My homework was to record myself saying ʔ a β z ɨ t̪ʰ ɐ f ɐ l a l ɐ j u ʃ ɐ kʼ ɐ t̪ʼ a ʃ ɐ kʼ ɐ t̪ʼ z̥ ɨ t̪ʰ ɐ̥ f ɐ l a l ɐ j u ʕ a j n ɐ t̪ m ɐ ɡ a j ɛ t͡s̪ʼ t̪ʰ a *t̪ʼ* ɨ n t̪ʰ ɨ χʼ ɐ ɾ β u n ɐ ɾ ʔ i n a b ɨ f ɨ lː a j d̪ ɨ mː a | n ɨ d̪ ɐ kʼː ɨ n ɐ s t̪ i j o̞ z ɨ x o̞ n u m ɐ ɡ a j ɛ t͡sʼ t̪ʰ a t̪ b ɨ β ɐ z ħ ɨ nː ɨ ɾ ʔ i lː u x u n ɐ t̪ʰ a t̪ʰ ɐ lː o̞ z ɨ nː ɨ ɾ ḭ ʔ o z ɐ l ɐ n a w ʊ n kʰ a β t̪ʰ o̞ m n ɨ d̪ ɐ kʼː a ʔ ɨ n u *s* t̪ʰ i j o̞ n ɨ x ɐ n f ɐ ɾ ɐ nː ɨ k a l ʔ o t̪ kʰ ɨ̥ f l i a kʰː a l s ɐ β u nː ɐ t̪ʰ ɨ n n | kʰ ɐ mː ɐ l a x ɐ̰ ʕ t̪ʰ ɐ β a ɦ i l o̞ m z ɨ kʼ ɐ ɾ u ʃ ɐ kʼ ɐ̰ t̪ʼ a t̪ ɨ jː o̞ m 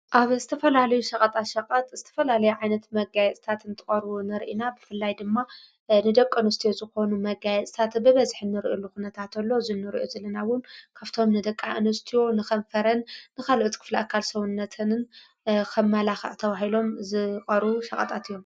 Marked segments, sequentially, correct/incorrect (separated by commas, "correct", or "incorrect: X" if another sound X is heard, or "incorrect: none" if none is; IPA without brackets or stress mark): incorrect: t̪, correct